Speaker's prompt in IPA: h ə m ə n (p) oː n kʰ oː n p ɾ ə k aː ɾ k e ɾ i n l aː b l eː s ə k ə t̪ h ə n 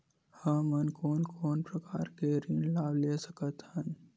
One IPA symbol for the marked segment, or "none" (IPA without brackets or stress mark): k